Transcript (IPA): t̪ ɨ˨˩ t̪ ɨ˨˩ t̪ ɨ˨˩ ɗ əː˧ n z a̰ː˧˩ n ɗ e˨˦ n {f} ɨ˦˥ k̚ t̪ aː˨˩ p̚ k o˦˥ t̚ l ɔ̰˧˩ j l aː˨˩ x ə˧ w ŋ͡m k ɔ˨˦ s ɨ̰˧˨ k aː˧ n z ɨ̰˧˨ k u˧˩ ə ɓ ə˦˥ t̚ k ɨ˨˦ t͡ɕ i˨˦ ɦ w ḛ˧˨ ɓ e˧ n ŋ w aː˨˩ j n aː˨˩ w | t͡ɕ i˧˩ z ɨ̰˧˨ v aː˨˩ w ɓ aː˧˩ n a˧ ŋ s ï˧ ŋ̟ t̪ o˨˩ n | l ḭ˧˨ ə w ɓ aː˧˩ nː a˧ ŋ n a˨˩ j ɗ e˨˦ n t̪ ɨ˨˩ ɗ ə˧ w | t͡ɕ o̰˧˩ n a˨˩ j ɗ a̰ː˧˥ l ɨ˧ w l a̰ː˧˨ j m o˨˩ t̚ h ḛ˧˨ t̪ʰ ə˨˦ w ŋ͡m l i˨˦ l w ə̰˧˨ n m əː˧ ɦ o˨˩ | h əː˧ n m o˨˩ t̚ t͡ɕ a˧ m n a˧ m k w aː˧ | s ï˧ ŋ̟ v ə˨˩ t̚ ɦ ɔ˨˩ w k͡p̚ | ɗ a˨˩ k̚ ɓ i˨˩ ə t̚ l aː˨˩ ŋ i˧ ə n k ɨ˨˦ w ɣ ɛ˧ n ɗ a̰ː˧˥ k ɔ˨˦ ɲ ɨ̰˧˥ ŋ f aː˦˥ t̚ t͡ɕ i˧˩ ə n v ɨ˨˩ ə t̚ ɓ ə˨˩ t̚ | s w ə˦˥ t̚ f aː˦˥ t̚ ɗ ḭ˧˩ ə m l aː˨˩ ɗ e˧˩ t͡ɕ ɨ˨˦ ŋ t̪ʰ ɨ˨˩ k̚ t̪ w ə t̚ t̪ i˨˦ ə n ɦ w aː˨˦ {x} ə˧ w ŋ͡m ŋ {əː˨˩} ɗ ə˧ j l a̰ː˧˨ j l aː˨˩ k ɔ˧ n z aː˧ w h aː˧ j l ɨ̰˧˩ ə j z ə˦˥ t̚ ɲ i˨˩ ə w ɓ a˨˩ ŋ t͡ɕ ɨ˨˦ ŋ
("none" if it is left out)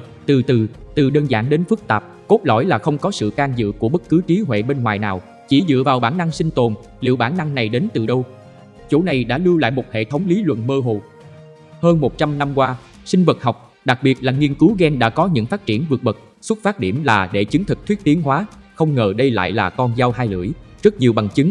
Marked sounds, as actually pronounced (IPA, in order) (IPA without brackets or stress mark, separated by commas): f, x, əː˨˩